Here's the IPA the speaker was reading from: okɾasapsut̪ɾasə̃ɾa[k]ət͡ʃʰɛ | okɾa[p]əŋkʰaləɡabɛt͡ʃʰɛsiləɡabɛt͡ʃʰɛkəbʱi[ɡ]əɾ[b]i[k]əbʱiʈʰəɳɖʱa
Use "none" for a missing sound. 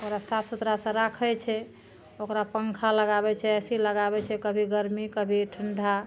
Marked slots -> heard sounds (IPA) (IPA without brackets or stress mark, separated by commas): kʰ, p, ɡ, m, k